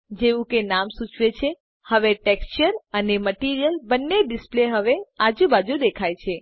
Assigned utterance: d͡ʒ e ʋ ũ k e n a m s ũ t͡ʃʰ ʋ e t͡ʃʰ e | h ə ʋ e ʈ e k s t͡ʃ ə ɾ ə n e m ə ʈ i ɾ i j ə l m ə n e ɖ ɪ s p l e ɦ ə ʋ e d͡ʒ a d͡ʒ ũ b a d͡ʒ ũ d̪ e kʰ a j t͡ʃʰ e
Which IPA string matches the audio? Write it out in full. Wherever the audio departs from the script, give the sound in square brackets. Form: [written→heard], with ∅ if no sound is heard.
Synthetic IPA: d͡ʒ e ʋ ũ k e n a m s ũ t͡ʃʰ ʋ e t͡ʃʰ e | h ə ʋ e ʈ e k s t͡ʃ ə ɾ ə n e m ə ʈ i ɾ i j ə l [m→b] ə [n→nː] e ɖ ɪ s p l e ɦ ə ʋ e [d͡ʒ→∅] a d͡ʒ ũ b a d͡ʒ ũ d̪ e kʰ a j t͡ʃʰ e